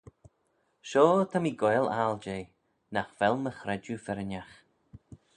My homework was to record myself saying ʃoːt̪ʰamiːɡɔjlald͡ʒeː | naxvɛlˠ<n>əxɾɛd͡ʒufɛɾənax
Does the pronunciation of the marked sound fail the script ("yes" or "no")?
yes